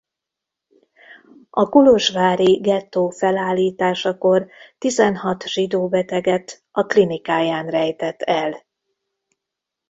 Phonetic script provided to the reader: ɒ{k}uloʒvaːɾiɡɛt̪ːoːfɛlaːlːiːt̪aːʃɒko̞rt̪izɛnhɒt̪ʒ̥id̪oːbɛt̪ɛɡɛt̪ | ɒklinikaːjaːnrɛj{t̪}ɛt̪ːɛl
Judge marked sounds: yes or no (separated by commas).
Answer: yes, yes